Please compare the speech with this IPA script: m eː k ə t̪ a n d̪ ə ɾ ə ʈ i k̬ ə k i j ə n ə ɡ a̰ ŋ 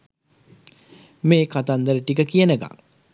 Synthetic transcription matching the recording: m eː k a t̪ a n d̪ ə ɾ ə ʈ i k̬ ə k i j ə n ə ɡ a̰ ŋ